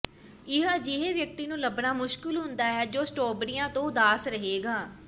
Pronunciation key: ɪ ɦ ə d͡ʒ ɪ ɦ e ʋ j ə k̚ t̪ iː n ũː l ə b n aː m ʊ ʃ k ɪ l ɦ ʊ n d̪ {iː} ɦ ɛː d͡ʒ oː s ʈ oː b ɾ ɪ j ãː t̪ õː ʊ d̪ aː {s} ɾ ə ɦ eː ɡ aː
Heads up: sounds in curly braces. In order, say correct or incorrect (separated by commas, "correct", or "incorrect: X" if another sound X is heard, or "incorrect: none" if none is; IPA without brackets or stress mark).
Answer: incorrect: aː, correct